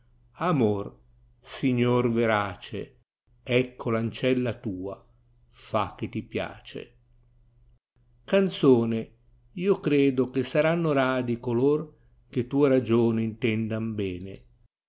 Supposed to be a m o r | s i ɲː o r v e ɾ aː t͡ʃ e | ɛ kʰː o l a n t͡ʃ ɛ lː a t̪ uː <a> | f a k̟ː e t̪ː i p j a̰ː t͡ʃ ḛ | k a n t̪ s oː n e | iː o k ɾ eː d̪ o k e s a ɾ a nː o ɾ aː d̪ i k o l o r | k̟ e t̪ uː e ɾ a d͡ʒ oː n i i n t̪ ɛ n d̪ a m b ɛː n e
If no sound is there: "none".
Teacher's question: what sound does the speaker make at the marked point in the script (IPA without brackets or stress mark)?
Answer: a